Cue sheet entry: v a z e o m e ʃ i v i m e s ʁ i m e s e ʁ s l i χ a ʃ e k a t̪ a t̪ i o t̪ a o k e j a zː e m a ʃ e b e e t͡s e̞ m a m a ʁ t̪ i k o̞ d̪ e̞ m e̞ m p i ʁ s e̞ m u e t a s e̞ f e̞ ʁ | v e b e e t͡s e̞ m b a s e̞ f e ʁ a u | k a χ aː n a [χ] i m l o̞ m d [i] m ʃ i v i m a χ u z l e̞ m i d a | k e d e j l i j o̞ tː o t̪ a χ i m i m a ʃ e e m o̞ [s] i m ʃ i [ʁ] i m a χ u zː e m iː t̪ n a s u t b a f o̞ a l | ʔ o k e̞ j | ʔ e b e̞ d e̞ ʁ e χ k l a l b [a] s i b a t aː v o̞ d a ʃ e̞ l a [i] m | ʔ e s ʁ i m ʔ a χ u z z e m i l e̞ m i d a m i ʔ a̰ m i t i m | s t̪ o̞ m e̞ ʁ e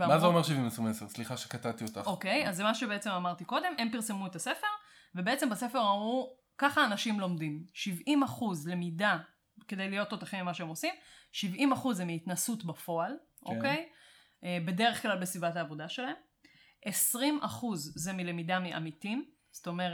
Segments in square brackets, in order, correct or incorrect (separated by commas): incorrect, correct, correct, incorrect, incorrect, incorrect